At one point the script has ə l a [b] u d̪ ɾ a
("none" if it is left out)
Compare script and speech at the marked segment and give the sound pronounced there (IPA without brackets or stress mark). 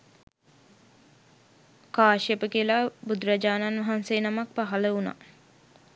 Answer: b